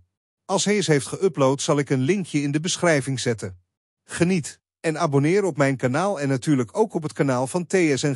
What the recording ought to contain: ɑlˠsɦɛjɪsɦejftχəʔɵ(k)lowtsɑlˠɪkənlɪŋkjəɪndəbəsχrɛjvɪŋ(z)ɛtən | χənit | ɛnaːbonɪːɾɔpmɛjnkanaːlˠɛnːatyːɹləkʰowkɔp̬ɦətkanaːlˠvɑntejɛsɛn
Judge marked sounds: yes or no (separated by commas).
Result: no, yes